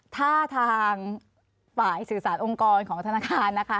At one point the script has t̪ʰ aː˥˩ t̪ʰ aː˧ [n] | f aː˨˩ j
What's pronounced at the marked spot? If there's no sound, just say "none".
ŋ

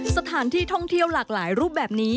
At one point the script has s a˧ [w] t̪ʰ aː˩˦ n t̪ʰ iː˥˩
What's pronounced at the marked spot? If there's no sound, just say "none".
none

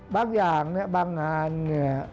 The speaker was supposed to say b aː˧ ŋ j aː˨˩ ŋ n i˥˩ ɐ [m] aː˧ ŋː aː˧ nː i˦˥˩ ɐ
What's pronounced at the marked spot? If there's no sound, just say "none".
b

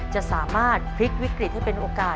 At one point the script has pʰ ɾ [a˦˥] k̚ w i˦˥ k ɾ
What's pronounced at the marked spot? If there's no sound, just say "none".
i˦˥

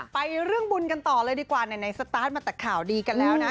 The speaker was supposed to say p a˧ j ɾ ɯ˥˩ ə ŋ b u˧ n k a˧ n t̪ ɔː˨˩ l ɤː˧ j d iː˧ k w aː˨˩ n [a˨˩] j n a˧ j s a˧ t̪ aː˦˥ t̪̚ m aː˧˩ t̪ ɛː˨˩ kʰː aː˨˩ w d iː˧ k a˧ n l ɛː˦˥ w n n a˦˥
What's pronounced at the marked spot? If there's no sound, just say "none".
a˨˩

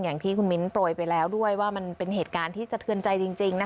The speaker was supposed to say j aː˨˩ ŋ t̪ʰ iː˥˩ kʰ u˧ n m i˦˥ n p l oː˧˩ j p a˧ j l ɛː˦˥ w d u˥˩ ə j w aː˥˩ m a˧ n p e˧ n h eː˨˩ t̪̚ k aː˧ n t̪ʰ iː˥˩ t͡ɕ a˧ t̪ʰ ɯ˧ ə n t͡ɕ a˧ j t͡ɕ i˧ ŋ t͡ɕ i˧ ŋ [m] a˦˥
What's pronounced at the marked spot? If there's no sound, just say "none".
n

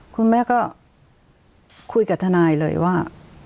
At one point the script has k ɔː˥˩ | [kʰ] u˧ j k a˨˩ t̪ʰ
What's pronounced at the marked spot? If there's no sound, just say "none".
kʰ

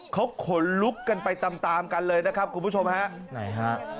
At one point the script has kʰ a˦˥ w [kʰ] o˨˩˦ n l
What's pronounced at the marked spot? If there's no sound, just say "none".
kʰ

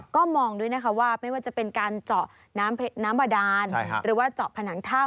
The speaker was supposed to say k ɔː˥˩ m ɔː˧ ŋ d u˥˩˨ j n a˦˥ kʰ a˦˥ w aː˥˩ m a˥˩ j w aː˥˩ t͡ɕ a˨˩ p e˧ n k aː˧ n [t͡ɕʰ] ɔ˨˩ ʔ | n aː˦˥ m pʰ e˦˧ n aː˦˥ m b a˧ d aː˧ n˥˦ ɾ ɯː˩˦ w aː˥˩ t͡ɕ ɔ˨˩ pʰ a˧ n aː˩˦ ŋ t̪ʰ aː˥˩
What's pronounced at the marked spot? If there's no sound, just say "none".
t͡ɕ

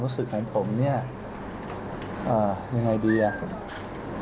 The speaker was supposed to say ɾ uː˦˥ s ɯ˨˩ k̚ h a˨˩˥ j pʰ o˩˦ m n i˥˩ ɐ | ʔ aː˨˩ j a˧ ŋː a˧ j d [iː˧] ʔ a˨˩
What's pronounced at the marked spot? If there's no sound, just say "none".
iː˧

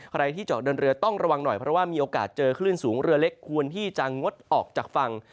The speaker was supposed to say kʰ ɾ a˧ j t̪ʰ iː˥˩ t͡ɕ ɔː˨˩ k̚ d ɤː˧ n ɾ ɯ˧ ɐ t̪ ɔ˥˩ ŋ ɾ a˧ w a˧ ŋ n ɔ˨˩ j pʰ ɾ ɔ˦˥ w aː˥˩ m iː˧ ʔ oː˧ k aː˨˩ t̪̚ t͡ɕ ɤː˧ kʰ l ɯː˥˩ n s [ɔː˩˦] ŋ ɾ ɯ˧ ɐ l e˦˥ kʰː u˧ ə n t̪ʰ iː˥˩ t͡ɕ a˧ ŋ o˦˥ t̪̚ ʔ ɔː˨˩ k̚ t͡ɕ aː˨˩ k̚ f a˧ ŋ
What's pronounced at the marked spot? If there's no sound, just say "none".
uː˩˦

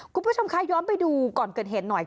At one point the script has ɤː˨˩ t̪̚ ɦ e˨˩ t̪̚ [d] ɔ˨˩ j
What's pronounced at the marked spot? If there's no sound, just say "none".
n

